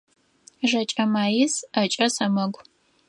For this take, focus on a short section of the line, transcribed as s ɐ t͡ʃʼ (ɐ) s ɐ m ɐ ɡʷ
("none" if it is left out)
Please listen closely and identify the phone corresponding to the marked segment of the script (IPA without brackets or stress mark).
ɐ